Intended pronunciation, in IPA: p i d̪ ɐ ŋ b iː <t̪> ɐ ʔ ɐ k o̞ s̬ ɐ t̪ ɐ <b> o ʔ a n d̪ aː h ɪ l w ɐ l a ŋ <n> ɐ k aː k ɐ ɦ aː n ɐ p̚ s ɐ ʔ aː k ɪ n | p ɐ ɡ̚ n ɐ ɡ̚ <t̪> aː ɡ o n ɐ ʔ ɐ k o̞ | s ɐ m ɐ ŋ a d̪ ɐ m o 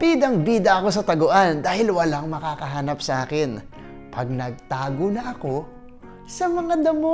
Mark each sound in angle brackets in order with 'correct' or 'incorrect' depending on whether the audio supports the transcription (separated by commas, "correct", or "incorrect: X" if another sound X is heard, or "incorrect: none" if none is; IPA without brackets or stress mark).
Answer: incorrect: d̪, incorrect: ɡ, incorrect: m, correct